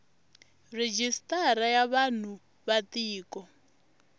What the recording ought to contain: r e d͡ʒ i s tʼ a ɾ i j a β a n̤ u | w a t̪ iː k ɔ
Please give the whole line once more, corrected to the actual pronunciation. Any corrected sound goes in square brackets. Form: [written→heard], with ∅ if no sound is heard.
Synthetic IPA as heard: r e d͡ʒ i s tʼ a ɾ [i→a] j a β a n̤ u | [w→β] a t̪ iː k ɔ